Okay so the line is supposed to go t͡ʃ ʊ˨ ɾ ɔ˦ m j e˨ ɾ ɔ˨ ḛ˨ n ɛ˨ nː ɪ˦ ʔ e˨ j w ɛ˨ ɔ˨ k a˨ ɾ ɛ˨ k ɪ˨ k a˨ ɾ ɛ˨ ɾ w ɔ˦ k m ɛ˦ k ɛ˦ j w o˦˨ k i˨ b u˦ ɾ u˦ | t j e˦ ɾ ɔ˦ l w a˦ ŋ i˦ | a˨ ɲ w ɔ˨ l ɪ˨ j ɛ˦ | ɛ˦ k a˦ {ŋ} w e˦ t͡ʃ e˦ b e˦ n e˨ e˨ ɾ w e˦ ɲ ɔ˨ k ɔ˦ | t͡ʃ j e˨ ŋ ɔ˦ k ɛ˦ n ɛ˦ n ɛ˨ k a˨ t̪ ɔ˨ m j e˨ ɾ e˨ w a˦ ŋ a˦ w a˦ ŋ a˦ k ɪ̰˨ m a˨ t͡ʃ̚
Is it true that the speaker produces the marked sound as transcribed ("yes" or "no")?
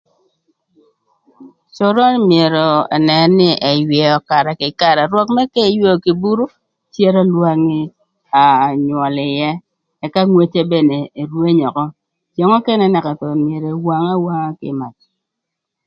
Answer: yes